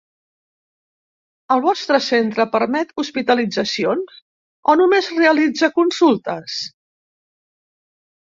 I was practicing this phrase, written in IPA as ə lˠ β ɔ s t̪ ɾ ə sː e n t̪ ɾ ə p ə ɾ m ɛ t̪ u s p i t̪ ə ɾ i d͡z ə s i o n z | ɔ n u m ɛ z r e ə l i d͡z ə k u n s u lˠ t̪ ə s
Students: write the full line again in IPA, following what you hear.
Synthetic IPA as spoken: ə lˠ β ɔ s t̪ ɾ ə s e n t̪ ɾ ə p ə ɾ m ɛ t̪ u s p i t̪ ə l i d͡z ə s i o n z | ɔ n u m e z r e ə l i d͡z ə k u n s u lˠ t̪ ə s